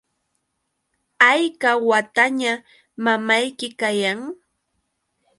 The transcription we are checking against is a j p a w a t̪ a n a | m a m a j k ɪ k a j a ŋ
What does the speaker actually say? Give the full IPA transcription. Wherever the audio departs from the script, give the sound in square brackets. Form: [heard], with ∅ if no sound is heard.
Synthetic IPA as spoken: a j [k] a w a t̪ a [ɲ] a | m a m a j k ɪ k a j a ŋ